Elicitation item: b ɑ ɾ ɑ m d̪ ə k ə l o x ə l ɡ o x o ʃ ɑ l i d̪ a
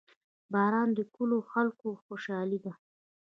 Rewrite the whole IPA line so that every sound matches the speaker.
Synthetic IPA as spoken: b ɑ ɾ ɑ n d̪ ə k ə l o x a l k o x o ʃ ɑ l i d̪ a